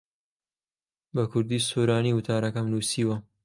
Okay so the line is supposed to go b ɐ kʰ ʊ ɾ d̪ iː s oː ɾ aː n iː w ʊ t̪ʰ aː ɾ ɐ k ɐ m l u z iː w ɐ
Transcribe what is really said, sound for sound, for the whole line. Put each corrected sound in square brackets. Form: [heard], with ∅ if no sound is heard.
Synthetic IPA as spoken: b ɐ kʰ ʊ ɾ d̪ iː s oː ɾ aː n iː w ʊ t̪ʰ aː ɾ ɐ k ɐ m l u [s] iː w ɐ

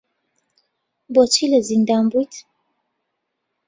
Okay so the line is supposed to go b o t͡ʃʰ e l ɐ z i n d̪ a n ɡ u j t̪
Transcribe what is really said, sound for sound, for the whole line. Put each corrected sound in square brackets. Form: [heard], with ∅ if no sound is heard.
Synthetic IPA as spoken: b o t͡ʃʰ [i] l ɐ z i n d̪ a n [b] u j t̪

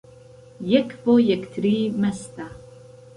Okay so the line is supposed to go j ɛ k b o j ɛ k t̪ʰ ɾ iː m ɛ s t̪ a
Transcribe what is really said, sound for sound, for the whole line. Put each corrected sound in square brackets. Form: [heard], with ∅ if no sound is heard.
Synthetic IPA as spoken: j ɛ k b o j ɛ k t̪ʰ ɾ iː m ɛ s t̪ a

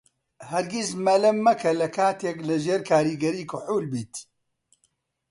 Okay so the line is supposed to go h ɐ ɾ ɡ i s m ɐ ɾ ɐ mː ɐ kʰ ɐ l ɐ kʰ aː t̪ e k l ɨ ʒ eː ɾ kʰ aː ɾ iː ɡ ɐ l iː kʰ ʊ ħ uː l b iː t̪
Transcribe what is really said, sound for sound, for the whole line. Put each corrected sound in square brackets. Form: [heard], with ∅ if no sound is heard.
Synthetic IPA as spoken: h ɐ ɾ ɡ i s m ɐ [l] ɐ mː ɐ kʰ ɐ l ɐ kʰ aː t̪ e k l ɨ ʒ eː ɾ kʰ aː ɾ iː ɡ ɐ [ɾ] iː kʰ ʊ ħ uː l b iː t̪

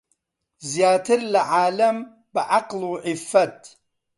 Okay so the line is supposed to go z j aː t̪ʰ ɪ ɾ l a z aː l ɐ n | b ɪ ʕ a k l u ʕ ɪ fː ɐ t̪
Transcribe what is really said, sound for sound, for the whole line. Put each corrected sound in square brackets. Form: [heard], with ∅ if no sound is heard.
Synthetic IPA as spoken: z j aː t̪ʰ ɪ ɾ l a [ʕ] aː l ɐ [m] | b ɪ ʕ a [q] l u ʕ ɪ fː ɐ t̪

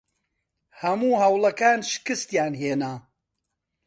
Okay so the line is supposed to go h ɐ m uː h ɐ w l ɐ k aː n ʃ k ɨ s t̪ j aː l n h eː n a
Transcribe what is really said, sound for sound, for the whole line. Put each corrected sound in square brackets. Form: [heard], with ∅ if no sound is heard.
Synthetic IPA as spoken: h ɐ m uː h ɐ w l ɐ k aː n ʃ k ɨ s t̪ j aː [∅] n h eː n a

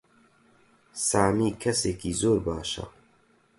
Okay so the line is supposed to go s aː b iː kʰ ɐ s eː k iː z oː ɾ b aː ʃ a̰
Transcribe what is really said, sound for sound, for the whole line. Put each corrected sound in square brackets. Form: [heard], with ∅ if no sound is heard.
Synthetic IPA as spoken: s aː [m] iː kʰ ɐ s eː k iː z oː ɾ b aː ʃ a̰

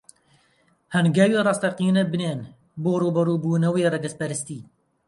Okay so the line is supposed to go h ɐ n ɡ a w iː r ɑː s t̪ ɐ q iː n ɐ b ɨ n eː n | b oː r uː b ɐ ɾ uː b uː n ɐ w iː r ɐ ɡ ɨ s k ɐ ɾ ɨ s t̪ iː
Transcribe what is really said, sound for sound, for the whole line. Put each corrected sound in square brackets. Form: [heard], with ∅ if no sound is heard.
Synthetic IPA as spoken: h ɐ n ɡ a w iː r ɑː s t̪ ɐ q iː n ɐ b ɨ n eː n | b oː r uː b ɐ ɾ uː b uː n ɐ w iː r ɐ ɡ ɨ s [p] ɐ ɾ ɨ s t̪ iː

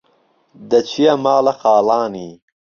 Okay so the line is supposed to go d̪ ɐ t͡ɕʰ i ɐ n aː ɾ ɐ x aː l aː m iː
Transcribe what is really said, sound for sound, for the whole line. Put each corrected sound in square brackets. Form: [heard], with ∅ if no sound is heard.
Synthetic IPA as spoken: d̪ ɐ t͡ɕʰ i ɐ [m] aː [l] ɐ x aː l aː [n] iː

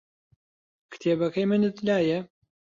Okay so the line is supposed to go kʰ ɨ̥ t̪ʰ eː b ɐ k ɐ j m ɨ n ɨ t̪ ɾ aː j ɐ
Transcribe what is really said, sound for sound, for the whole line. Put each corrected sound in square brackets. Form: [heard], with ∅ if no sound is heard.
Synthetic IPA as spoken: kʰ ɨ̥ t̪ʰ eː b ɐ k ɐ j m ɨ n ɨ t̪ [l] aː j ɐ

